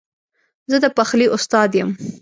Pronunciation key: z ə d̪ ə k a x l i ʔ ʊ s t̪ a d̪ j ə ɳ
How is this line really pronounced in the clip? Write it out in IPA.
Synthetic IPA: z ə d̪ ə p a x l i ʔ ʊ s t̪ ɑ d̪ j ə m